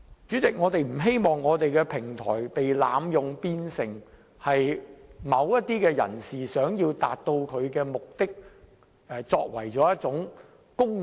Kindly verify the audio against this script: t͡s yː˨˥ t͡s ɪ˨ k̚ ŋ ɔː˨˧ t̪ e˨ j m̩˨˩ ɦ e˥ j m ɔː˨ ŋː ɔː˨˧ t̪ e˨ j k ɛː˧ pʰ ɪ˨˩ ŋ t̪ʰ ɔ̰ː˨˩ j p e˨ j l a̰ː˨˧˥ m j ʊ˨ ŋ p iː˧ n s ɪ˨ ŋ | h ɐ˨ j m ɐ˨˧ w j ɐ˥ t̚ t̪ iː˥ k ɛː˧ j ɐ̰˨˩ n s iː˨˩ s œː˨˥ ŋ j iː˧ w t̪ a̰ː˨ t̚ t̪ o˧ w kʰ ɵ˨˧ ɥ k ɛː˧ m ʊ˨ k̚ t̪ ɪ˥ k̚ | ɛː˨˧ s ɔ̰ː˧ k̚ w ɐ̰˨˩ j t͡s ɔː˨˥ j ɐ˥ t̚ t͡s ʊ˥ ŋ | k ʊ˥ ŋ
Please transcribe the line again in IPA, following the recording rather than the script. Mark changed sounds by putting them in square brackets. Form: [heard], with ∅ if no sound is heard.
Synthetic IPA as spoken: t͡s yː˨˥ t͡s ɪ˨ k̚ ŋ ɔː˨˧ t̪ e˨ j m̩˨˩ ɦ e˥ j m ɔː˨ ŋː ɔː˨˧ t̪ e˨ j k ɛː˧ pʰ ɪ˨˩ ŋ t̪ʰ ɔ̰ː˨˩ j p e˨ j l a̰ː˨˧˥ m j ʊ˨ ŋ p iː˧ n s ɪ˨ ŋ | h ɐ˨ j m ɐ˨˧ w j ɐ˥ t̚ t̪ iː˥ k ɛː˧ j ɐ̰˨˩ n s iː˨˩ s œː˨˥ ŋ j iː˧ w t̪ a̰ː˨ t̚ t̪ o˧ w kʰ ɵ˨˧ ɥ k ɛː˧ m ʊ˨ k̚ t̪ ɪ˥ k̚ | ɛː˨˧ [t͡s] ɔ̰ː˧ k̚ w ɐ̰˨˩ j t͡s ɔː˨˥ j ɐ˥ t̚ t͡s [ʊ˨˥] ŋ | k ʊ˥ ŋ